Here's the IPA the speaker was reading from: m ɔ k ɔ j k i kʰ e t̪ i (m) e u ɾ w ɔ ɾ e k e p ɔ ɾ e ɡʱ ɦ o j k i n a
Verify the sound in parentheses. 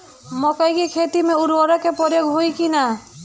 correct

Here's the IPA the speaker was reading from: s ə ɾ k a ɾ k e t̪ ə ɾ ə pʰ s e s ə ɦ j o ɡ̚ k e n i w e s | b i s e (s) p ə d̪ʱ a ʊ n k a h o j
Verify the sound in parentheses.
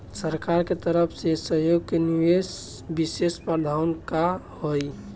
correct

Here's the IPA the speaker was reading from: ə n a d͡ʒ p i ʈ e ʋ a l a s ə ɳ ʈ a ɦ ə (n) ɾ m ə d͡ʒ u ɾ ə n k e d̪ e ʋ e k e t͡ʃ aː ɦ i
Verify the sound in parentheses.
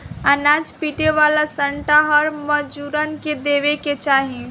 incorrect: none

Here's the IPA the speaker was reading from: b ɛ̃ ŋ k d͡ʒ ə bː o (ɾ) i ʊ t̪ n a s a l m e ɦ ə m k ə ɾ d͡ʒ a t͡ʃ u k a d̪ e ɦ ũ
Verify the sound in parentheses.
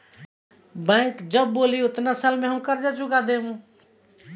incorrect: l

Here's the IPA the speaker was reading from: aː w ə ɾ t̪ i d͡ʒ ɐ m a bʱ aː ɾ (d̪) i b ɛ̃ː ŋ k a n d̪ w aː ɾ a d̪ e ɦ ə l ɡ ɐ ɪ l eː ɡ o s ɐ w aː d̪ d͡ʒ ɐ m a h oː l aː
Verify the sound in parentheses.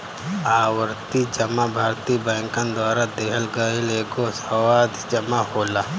incorrect: t̪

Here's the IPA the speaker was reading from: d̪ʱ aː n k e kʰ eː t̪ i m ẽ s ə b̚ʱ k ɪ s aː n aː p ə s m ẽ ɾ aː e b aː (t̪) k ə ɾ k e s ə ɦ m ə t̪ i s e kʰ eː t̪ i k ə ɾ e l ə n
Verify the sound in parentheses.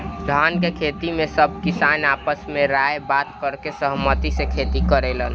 correct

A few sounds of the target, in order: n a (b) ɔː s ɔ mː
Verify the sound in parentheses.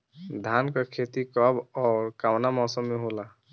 incorrect: m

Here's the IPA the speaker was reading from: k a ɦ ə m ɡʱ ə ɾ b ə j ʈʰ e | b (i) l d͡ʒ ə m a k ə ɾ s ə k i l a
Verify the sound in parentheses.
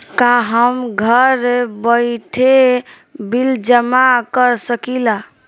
correct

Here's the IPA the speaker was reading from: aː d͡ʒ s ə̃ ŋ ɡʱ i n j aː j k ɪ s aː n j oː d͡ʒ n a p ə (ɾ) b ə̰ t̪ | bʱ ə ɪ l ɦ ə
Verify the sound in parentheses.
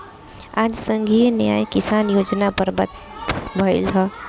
correct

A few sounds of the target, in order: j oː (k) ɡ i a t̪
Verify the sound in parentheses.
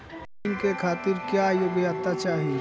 incorrect: none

